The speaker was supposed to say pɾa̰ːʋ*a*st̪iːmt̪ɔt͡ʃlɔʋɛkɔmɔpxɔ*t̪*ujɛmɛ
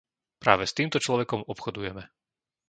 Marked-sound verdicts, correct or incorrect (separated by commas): incorrect, incorrect